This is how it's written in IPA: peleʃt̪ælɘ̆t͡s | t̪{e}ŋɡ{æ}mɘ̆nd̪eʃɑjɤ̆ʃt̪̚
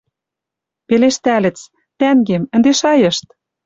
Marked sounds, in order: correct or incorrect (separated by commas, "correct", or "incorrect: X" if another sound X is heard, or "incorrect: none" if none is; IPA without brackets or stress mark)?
incorrect: æ, incorrect: e